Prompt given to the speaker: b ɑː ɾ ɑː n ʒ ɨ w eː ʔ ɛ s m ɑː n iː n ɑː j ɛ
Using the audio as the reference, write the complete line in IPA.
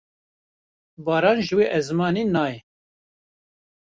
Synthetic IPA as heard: b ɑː ɾ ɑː n ʒ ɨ w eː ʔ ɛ z m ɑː n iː n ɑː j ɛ